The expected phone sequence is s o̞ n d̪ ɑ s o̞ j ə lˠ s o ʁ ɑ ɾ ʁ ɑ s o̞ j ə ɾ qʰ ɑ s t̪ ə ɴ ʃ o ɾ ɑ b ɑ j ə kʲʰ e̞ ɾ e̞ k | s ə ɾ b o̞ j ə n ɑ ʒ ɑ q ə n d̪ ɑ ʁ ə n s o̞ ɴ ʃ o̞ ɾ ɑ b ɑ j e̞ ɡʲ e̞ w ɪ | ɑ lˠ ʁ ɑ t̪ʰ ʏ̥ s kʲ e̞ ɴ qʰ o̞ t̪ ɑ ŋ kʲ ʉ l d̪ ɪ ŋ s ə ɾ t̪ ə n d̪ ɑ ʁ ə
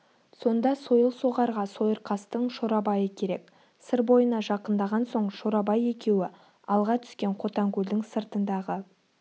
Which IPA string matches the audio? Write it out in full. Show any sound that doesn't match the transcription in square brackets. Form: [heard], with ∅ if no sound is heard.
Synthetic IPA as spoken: s o̞ n d̪ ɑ s o̞ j ə lˠ s o ʁ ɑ ɾ ʁ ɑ s o̞ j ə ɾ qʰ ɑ s t̪ ə ɴ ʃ o ɾ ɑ b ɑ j ə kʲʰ e̞ ɾ e̞ k | s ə ɾ b o̞ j ə n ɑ ʒ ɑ q ə n d̪ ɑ ʁ [ɑ] n s o̞ ɴ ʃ o̞ ɾ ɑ b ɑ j e̞ [kʲ] e̞ w ɪ | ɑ lˠ ʁ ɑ t̪ʰ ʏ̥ s kʲ e̞ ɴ qʰ o̞ t̪ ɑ ŋ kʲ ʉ l d̪ ɪ ŋ s ə ɾ t̪ ə n d̪ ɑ ʁ ə